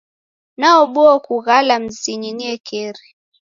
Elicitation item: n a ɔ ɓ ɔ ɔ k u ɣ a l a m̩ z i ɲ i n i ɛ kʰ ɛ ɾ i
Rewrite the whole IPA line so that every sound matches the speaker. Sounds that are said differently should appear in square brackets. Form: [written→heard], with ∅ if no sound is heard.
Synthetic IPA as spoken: n a ɔ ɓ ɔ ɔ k u ɣ a l a m̩ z i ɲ i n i ɛ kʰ ɛ ɾ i